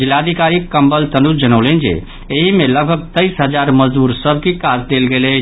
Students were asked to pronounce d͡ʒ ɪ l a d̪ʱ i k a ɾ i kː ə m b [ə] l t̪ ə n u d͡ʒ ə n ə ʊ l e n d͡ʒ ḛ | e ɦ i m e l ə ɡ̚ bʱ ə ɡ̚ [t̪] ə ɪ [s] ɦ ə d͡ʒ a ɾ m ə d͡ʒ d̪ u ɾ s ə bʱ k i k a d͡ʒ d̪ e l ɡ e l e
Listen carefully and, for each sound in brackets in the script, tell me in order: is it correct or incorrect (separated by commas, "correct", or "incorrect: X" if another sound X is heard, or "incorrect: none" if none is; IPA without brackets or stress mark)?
correct, correct, correct